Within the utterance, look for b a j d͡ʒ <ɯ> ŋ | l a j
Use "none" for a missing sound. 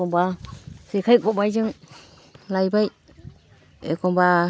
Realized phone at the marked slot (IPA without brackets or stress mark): ɯ